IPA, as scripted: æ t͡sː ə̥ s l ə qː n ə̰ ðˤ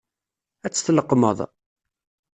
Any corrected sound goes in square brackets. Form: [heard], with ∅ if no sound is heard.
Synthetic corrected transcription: æ t͡sː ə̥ [θ] l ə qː [m] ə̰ ðˤ